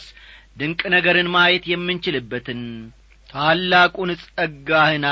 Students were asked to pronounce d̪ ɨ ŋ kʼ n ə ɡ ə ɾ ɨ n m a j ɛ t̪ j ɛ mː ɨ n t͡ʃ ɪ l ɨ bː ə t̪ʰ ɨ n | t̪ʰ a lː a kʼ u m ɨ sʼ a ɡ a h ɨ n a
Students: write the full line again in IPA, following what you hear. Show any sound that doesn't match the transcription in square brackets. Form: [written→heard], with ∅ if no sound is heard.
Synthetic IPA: d̪ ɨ ŋ kʼ n ə ɡ ə ɾ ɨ n m a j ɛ t̪ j ɛ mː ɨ n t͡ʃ ɪ l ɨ bː ə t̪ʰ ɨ n | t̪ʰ a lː a kʼ u [m→n] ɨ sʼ [a→ə] ɡ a h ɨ n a